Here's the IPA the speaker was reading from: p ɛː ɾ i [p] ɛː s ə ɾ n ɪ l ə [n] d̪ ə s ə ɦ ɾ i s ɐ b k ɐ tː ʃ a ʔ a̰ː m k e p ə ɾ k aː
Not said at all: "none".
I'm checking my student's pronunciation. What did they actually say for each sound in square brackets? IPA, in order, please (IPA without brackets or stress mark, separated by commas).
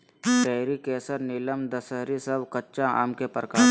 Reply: k, m